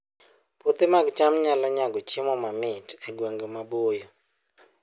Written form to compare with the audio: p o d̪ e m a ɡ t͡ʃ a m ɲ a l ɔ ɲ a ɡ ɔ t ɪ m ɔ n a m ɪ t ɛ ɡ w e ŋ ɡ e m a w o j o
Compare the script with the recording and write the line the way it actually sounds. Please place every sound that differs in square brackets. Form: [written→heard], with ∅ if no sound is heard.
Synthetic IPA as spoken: p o [d̪→t̪] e m a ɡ t͡ʃ a m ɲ a l ɔ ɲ a ɡ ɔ [t→t͡ʃ] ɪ m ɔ [n→m] a m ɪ t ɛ ɡ w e ŋ ɡ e m a [w→b] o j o